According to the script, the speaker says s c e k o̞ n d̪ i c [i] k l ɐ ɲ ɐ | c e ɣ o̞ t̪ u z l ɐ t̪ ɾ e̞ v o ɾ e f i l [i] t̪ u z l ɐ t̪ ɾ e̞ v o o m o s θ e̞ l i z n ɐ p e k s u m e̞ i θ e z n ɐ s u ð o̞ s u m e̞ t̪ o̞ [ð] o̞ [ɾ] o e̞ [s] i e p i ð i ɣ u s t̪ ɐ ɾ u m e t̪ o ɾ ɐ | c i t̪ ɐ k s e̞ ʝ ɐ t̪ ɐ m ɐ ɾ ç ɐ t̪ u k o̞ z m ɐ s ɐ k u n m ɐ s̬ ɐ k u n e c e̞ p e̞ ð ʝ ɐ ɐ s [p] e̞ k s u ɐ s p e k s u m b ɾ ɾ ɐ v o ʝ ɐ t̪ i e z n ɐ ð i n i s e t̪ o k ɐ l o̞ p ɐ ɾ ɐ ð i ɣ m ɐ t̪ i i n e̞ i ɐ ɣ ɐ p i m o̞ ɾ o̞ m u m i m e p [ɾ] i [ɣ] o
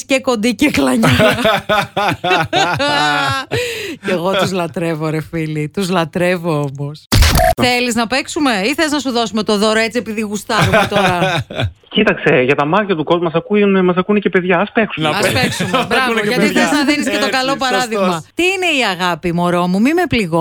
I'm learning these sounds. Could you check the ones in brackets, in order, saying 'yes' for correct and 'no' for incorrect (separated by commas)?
no, yes, yes, yes, no, yes, no, yes